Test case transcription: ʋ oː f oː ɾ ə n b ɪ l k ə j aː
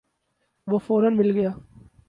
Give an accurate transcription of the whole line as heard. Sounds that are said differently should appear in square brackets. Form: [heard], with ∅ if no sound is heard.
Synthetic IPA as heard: ʋ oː f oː ɾ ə n [m] ɪ l [ɡ] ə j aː